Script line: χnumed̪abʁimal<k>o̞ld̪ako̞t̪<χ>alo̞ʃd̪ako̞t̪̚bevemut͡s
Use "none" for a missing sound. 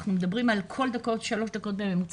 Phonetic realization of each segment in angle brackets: kʰ, ʃ

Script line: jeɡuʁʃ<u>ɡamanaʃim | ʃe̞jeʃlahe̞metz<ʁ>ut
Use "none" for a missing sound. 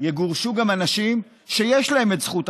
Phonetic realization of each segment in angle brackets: u, χ

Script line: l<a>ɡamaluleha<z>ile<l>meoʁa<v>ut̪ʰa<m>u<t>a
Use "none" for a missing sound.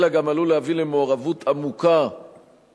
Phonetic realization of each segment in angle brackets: a, v, none, v, m, k

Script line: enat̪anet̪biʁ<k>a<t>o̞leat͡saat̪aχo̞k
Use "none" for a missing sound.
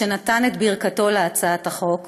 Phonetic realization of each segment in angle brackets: k, t

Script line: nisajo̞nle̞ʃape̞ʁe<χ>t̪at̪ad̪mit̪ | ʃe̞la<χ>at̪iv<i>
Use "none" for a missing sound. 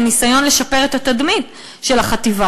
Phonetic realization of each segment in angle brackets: none, χ, a

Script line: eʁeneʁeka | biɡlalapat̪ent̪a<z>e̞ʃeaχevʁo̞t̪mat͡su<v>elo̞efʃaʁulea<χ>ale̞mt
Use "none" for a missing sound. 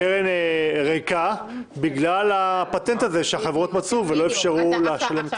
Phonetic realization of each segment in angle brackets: z, v, ʃ

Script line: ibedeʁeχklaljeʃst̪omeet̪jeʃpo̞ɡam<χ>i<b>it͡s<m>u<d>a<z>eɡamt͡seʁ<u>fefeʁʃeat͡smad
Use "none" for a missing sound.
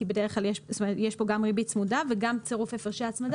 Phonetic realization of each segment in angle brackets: ʁ, b, m, d, v, u

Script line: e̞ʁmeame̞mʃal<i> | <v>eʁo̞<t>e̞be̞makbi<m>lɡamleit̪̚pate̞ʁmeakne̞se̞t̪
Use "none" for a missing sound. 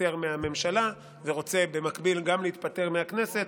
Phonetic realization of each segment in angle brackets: a, v, t͡s, none

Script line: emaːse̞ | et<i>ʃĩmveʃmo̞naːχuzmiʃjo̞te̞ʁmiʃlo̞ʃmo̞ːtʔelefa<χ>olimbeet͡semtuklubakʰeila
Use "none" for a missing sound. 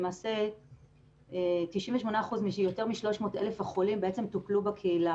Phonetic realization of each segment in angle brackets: i, χ

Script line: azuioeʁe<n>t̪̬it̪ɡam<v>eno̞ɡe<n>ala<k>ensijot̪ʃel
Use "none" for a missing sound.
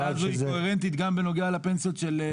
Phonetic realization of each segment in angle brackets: n, b, none, p

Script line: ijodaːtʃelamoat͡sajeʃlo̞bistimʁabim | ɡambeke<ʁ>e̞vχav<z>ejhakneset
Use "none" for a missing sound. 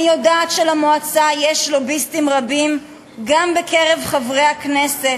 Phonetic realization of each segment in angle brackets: ʁ, ʁ

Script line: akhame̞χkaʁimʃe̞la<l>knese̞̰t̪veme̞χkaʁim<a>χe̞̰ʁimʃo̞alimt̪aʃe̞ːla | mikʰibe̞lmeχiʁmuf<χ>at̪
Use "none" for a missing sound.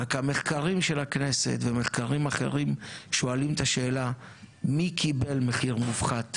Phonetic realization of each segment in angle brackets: none, a, χ

